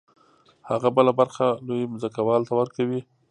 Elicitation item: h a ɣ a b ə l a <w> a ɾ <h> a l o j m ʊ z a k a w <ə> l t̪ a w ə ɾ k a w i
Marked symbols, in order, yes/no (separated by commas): no, no, no